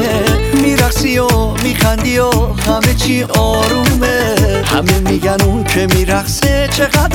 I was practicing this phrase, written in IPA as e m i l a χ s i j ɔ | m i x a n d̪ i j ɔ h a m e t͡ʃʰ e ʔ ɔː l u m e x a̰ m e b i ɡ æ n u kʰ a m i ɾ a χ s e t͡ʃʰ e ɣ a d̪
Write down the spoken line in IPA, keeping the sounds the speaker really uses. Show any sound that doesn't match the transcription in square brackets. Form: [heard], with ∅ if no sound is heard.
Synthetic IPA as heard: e m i [ɾ] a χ s i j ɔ | m i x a n d̪ i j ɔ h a m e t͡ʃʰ [i] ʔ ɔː [ɾ] u m e [h] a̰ m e [m] i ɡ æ n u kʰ [e] m i ɾ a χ s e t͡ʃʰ e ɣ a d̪